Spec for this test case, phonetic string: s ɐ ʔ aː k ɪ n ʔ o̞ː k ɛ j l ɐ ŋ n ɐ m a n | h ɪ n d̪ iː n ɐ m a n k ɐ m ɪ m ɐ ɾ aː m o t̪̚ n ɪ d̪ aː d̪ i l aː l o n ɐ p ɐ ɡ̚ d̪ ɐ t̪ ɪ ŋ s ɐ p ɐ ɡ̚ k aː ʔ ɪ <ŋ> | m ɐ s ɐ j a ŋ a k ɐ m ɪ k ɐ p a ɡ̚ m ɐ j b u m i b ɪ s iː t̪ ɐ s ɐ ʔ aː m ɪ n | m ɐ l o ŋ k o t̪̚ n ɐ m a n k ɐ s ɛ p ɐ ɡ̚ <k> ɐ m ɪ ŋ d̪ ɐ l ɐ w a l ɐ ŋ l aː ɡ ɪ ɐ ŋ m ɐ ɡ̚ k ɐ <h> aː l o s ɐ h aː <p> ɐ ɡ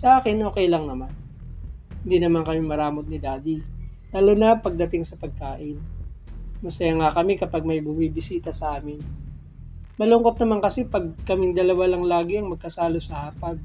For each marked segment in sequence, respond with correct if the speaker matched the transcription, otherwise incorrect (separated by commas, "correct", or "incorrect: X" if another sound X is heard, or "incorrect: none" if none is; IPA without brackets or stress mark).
incorrect: n, correct, incorrect: s, correct